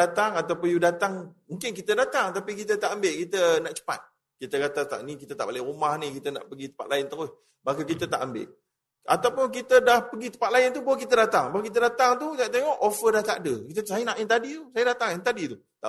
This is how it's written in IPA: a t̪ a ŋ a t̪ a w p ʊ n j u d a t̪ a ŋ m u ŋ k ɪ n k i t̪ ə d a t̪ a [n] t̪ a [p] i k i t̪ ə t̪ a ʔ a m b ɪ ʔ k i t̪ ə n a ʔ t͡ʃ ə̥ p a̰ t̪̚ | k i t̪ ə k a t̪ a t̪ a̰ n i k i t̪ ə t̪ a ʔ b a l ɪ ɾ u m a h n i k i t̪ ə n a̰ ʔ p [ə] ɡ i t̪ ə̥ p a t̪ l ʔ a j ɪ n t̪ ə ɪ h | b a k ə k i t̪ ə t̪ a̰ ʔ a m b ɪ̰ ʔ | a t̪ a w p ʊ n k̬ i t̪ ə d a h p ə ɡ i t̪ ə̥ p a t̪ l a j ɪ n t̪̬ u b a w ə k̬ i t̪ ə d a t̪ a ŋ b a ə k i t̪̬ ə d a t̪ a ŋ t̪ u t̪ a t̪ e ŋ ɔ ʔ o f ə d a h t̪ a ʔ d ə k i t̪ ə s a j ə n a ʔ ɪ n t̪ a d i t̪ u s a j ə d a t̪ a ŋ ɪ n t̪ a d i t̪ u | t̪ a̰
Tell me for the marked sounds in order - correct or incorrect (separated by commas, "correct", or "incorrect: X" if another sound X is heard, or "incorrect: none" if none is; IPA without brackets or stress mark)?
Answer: incorrect: ŋ, correct, correct